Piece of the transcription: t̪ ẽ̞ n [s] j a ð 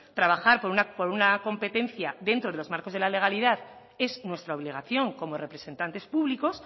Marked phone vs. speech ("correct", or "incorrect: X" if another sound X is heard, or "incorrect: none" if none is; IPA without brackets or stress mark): incorrect: θ